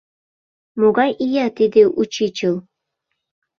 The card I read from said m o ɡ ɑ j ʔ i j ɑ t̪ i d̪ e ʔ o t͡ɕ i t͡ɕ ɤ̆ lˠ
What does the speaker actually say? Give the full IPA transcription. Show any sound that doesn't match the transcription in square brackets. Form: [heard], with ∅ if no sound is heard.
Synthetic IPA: m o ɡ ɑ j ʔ i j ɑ t̪ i d̪ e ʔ [u] t͡ɕ i t͡ɕ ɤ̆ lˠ

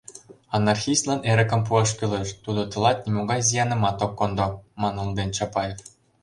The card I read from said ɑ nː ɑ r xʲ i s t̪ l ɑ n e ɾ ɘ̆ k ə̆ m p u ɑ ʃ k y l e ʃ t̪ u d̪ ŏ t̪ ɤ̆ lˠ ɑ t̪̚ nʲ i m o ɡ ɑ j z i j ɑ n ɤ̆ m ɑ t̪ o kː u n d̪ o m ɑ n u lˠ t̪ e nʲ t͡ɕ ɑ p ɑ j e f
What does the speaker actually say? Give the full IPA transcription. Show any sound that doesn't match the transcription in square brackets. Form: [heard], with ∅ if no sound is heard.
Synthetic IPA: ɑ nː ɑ r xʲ i s t̪ l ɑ n e ɾ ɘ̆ k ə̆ m p u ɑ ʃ k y l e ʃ t̪ u d̪ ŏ t̪ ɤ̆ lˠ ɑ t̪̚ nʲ i m o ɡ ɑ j z i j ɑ n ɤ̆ m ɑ t̪ o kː [o] n d̪ o m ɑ n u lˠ [d̪] e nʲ t͡ɕ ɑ p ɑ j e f

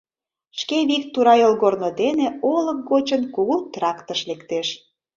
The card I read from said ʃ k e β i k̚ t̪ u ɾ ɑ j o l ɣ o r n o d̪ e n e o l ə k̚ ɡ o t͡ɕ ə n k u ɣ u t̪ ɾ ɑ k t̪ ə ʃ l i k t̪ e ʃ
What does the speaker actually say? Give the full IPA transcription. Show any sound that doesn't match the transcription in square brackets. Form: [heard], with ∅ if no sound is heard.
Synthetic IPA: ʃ k e β i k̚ t̪ u ɾ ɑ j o l ɣ o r n o d̪ e n e o l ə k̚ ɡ o t͡ɕ ə n k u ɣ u t̪ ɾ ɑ k t̪ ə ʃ l [e] k t̪ e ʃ

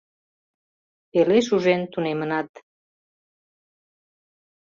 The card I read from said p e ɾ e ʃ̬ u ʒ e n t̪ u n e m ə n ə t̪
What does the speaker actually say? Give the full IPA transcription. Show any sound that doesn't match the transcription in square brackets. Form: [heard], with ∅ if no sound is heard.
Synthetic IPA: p e [l] e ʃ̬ u ʒ e n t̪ u n e m ə n [ɑ] t̪

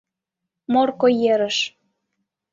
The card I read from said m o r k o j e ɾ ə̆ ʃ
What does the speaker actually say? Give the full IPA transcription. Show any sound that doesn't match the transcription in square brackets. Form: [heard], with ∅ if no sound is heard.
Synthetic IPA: m o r k o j e ɾ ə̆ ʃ

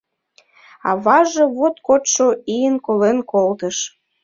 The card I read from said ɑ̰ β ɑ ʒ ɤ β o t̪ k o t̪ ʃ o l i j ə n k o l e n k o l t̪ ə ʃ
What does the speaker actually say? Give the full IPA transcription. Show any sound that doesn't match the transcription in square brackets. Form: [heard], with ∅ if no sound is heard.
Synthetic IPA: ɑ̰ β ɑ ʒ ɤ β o t̪ k o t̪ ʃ o [∅] i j ə n k o l e n k o l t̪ ə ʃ

